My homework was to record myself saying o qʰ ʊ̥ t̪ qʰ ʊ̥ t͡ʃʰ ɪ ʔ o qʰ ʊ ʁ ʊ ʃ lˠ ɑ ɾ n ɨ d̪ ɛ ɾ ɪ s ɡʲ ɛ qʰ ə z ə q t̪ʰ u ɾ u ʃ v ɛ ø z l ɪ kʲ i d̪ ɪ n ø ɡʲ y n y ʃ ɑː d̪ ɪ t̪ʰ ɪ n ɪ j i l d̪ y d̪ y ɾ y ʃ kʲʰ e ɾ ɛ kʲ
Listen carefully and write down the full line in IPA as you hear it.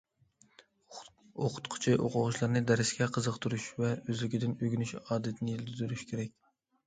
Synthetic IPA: o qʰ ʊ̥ t̪ qʰ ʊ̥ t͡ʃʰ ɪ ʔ o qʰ ʊ ʁ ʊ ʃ lˠ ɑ ɾ n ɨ d̪ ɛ ɾ ɪ s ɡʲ ɛ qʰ ə z ə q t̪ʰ u ɾ u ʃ v ɛ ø z l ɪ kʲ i d̪ ɪ n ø ɡʲ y n y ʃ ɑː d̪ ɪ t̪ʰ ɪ n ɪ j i l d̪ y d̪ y ɾ y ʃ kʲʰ e ɾ ɛ kʲ